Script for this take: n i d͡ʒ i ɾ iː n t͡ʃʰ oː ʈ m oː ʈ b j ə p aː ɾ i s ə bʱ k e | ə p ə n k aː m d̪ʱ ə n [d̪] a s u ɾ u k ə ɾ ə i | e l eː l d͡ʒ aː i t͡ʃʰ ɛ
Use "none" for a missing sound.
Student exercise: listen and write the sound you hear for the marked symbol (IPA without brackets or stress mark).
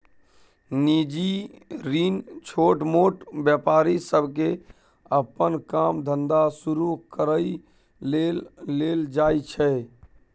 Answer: d̪